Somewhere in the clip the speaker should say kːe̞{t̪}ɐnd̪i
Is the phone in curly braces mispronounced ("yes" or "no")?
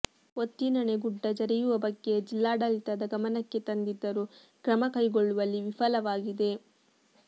no